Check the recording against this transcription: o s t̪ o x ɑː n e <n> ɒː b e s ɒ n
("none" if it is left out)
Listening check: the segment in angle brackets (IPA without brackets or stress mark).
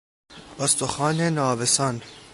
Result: n